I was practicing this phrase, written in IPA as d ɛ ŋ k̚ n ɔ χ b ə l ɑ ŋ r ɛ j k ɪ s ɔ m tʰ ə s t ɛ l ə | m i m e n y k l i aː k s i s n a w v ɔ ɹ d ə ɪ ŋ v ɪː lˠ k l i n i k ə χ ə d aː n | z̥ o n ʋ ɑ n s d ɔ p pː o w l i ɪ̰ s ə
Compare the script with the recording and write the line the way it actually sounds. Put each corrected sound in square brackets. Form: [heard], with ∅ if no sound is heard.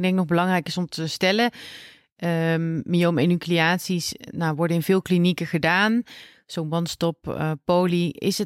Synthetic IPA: d ɛ ŋ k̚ n ɔ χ b ə l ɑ ŋ r ɛ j k ɪ s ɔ m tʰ ə s t ɛ l ə | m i m e n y k l i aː [t] s i s n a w [ʋ] ɔ ɹ d ə ɪ [n] v ɪː lˠ k l i n i k ə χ ə d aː n | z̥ o n ʋ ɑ n s [t] ɔ p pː o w l i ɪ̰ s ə